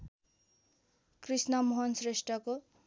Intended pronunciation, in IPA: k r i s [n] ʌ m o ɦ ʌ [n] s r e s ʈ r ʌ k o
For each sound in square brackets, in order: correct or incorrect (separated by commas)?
correct, correct